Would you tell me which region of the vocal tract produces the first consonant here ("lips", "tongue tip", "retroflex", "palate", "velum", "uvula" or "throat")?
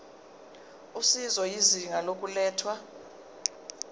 tongue tip